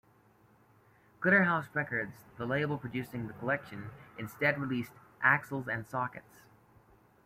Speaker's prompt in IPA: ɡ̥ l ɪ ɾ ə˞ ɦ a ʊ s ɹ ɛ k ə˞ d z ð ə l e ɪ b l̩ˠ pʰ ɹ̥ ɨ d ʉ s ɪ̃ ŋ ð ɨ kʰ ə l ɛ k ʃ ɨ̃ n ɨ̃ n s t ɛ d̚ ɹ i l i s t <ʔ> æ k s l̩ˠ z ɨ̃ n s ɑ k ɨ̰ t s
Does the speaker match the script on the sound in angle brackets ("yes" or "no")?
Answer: yes